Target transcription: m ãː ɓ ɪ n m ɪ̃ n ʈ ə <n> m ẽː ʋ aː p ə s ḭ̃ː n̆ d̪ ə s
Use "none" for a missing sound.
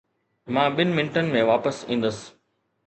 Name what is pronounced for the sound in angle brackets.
n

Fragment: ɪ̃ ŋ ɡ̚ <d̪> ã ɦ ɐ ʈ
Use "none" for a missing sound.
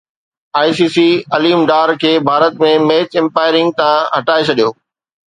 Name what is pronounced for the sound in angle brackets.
t̪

